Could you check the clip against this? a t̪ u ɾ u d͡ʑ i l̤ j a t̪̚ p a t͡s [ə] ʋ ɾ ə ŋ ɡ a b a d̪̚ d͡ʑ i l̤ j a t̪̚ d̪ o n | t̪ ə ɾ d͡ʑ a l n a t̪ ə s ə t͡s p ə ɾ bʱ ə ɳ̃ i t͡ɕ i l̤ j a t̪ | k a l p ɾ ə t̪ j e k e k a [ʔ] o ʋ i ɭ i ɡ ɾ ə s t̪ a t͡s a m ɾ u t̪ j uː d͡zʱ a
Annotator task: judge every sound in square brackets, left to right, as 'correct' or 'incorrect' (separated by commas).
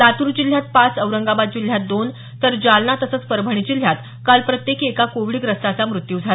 correct, incorrect